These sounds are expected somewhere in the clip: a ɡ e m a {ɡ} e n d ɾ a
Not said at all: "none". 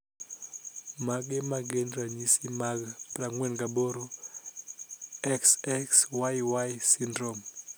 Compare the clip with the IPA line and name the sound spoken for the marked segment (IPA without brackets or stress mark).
ɡ